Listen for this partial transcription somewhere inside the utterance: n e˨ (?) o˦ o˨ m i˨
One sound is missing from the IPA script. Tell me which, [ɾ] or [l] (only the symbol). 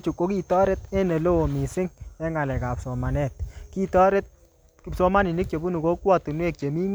l